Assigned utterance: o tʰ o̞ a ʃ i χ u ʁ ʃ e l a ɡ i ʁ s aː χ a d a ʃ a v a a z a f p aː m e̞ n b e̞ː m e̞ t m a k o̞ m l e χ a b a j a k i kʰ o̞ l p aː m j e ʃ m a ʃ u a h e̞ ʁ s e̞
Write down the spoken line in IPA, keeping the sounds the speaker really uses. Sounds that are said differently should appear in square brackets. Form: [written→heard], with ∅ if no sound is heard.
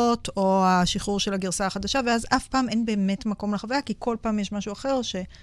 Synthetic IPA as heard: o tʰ o̞ a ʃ i χ u ʁ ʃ e l a ɡ i ʁ s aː χ a d a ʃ a v [a→e] a z a f p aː m e̞ n b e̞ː m e̞ t m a k o̞ m l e χ a [b→v] a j a k i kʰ o̞ l p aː m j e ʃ m a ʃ u a [h→χ] e̞ ʁ [s→ʃ] e̞